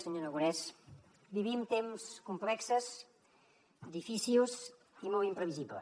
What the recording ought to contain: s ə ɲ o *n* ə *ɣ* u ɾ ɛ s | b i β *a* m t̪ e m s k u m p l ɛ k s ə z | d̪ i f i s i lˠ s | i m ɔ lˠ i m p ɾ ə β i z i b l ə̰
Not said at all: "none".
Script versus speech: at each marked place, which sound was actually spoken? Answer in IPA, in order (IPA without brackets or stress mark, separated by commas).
n, ɣ, i